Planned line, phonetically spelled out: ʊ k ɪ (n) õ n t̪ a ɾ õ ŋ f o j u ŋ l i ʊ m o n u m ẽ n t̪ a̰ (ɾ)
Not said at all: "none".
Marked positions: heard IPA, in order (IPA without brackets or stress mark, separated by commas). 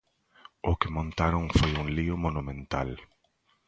m, l